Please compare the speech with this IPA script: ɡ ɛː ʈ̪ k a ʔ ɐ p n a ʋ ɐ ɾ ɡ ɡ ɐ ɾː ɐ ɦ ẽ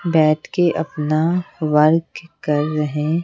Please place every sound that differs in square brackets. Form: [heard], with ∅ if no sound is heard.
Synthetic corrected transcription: [b] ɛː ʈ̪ k [e] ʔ ɐ p n a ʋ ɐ ɾ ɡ [k] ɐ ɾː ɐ ɦ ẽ